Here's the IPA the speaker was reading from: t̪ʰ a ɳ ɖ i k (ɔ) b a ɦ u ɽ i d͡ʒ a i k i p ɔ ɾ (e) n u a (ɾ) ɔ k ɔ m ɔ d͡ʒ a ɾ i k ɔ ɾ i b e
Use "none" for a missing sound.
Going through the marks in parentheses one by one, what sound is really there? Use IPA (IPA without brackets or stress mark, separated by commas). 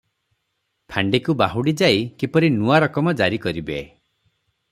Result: u, i, ɾ